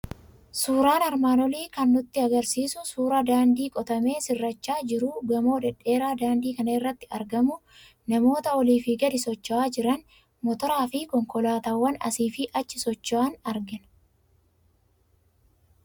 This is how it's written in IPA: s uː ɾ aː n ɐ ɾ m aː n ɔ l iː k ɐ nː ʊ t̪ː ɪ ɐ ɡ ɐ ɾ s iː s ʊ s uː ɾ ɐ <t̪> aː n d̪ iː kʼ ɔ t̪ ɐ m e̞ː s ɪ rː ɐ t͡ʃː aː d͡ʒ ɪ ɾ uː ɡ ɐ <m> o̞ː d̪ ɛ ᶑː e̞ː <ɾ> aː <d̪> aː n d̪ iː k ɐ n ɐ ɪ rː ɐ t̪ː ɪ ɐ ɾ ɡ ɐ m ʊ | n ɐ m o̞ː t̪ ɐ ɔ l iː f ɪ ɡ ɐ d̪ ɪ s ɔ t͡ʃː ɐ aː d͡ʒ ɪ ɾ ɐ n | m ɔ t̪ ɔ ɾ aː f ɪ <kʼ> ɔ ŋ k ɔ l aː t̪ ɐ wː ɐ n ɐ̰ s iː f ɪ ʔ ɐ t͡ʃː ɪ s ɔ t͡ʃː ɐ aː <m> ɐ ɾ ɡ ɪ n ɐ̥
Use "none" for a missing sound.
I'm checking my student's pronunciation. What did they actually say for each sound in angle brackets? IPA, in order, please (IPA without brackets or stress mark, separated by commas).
d̪, m, ɾ, d̪, k, n